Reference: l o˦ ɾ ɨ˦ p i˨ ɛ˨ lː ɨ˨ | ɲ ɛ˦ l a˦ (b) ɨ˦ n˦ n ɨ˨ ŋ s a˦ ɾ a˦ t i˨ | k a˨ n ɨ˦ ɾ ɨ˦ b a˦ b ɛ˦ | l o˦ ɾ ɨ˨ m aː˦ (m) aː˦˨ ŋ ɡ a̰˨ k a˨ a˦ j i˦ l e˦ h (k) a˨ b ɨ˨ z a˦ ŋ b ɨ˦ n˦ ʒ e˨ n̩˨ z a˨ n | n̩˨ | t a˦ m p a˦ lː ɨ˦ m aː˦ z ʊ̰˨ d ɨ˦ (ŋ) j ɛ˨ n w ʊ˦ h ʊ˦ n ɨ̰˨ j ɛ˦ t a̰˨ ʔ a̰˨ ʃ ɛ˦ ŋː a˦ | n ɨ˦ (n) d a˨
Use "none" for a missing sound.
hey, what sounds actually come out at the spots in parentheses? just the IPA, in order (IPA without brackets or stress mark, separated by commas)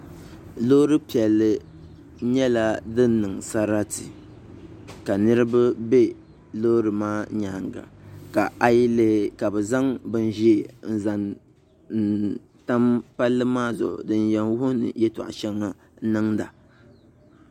d, ɲ, k, n, ŋ